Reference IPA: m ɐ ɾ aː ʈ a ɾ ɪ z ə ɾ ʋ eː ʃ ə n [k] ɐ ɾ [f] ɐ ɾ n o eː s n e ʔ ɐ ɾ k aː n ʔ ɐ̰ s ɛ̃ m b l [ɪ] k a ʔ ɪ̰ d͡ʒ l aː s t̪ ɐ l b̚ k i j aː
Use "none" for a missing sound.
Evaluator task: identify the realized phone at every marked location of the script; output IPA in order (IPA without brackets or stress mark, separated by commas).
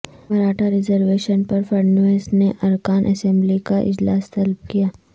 p, f, i